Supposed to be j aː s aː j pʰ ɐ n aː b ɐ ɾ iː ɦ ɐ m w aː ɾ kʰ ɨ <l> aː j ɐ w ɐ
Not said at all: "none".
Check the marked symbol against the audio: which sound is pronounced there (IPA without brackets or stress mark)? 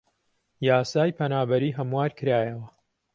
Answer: ɾ